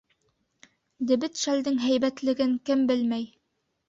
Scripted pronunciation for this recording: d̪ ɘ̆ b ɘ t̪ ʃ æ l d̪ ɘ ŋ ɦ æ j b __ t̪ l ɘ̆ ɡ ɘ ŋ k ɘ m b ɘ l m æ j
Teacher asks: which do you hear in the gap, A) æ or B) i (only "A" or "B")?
A